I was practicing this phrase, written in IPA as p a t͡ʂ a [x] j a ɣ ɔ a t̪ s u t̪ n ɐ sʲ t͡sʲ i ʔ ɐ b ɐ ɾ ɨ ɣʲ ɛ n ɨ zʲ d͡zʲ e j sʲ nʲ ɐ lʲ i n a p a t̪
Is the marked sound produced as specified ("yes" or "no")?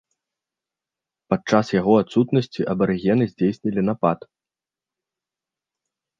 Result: no